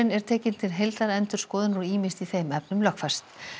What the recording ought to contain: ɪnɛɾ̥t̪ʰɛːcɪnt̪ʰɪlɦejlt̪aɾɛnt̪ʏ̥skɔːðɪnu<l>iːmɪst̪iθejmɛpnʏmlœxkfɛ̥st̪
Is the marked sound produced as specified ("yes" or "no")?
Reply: no